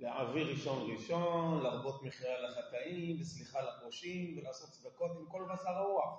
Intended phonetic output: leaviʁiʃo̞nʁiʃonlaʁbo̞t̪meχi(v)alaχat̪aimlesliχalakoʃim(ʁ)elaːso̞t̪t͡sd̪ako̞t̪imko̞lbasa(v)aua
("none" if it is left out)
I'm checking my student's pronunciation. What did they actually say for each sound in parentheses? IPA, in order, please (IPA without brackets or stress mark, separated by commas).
ʁ, v, ʁ